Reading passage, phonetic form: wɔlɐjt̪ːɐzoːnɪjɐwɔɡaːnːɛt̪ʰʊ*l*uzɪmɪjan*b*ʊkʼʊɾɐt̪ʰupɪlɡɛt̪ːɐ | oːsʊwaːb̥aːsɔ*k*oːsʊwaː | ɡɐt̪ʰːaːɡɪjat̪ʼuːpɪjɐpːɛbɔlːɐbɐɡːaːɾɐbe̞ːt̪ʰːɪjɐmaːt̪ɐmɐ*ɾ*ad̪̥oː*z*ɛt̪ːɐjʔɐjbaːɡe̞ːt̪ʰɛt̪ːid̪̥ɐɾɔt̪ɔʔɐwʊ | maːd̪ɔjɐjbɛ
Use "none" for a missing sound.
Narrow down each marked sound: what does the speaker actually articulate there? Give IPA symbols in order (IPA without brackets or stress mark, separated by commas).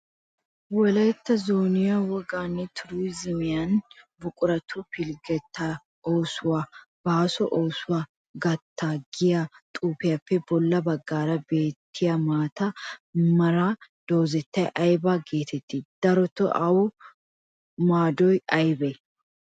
ɾ, b, ʔ, ɾ, z